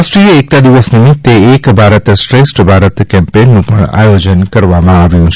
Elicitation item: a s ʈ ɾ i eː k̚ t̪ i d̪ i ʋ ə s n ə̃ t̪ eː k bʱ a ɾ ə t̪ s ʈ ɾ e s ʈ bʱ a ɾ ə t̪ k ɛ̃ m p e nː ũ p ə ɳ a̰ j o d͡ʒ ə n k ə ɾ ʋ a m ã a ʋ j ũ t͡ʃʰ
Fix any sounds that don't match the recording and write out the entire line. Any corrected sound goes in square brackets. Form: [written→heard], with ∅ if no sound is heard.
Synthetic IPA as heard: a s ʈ ɾ i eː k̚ t̪ [i→a] d̪ i ʋ ə s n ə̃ t̪ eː k bʱ a ɾ ə t̪ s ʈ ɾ e s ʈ bʱ a ɾ ə t̪ k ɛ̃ m p e nː ũ p ə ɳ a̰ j o d͡ʒ ə n k ə ɾ ʋ a m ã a ʋ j ũ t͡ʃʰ

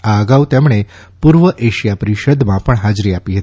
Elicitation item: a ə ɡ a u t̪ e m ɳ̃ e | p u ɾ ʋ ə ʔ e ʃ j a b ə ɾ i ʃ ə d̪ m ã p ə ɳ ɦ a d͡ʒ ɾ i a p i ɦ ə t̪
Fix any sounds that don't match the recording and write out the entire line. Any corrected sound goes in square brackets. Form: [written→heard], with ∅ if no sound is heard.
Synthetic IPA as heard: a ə ɡ a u t̪ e m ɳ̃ e | p u ɾ ʋ ə ʔ e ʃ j a [b→p] ə ɾ i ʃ ə d̪ m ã p ə ɳ ɦ a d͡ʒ ɾ i a p i ɦ ə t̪

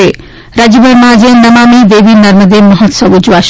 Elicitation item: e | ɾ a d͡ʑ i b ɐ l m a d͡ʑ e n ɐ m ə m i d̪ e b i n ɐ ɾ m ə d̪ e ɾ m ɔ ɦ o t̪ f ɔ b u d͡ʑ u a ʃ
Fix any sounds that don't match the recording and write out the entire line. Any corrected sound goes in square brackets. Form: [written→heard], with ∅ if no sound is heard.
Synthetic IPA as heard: e | ɾ a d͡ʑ i b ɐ [l→ɾ] m a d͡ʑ e n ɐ m [ə→a] m i d̪ e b i n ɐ ɾ m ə d̪ e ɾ m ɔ ɦ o t̪ [f→s] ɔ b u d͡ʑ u a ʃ

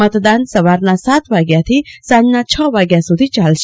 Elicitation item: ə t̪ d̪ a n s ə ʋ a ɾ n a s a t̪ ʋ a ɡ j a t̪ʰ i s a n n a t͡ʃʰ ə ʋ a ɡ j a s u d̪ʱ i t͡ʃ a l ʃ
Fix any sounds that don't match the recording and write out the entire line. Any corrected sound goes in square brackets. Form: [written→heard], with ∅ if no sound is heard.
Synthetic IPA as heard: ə t̪ d̪ a n s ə ʋ a ɾ n a s a t̪ ʋ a ɡ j a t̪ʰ i s a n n a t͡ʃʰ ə ʋ a ɡ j a s u d̪ʱ i t͡ʃ a l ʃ

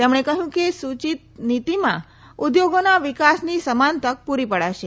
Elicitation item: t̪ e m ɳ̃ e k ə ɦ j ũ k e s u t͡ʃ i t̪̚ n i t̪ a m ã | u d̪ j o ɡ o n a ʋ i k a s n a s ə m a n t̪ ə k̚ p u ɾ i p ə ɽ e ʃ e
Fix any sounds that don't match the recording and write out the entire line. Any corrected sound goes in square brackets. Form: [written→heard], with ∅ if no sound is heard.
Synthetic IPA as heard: t̪ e m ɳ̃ e k ə ɦ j ũ k e s u t͡ʃ i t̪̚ n i t̪ [a→i] m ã | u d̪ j o ɡ o n a ʋ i k a s n [a→i] s ə m a n t̪ ə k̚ p u ɾ i p ə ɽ [e→a] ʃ e

